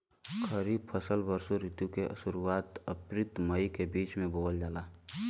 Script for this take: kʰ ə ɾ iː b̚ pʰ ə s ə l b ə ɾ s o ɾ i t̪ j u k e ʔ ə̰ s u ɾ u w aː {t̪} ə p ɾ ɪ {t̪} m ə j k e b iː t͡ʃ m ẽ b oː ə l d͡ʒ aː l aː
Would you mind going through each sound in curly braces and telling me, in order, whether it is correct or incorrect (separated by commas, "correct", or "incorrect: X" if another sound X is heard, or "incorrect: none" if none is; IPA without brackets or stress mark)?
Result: correct, correct